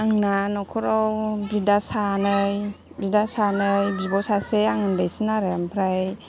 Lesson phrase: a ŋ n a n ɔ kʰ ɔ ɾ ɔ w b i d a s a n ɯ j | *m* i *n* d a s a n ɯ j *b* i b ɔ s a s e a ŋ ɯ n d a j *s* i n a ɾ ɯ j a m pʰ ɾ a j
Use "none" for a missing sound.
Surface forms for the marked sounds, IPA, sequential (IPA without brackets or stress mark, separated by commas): b, none, b, s